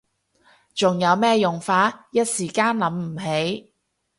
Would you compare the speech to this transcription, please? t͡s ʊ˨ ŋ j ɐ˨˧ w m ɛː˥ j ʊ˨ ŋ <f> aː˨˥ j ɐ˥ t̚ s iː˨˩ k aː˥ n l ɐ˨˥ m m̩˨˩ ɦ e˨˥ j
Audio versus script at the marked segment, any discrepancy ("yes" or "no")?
no